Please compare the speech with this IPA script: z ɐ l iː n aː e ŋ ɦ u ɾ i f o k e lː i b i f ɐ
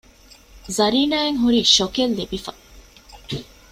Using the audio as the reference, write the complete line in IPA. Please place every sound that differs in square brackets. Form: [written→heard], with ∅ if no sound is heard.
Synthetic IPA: z ɐ [l→ɾ] iː n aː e ŋ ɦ u ɾ i [f→ʃ] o k e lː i b i f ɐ